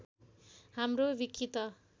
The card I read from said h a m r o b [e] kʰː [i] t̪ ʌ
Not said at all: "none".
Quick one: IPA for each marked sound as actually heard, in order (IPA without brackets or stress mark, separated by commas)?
i, i